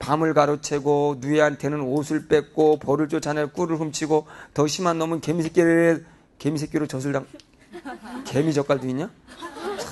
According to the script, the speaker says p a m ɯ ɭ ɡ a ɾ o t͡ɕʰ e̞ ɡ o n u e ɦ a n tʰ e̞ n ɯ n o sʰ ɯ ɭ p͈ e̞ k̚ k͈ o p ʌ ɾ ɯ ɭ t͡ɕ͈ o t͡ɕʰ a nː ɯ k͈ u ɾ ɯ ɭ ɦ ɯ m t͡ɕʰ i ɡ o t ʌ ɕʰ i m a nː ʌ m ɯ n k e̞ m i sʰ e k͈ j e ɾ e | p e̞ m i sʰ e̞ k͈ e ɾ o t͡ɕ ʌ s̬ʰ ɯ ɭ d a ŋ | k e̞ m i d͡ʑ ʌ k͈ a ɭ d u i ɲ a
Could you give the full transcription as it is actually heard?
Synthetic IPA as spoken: p a m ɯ ɭ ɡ a ɾ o t͡ɕʰ e̞ ɡ o n u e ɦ a n tʰ e̞ n ɯ n o sʰ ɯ ɭ p͈ e̞ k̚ k͈ o p ʌ ɾ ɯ ɭ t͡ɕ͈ o t͡ɕʰ a n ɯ k͈ u ɾ ɯ ɭ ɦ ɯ m t͡ɕʰ i ɡ o t ʌ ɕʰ i m a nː ʌ m ɯ n k e̞ m i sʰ e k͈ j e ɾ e | k e̞ m i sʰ e̞ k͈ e ɾ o t͡ɕ ʌ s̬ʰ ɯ ɭ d a ŋ | k e̞ m i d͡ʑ ʌ k͈ a ɭ d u i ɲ a